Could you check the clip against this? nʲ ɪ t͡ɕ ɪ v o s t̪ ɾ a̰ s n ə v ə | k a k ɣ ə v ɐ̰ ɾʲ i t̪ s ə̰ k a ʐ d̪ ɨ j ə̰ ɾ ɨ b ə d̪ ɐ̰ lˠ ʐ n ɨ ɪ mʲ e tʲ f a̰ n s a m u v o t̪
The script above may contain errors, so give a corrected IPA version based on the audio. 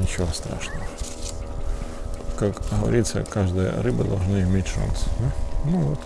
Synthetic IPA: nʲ ɪ t͡ɕ ɪ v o s t̪ ɾ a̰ ʂ n ə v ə | k a k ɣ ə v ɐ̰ ɾʲ i t̪ s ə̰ k a ʐ d̪ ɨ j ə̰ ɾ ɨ b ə d̪ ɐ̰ lˠ ʐ n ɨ ɪ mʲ e tʲ ʂ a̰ n s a n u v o t̪